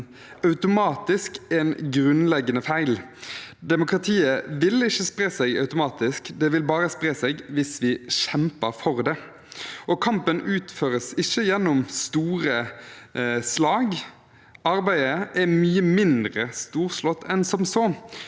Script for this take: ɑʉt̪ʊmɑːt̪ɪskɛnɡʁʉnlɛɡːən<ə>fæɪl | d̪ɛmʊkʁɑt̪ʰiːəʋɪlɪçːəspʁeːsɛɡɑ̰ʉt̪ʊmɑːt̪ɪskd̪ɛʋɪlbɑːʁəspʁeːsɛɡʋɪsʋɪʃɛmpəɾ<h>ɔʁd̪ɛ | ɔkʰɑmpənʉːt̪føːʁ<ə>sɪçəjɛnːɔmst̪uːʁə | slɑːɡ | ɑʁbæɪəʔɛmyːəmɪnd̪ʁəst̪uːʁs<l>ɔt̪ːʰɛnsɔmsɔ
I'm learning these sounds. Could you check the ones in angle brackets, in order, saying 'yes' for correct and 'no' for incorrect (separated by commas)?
yes, no, yes, yes